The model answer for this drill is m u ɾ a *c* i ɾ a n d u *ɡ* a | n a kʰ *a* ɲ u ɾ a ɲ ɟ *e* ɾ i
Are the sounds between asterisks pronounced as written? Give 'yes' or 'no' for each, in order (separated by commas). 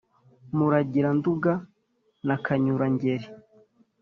no, yes, yes, yes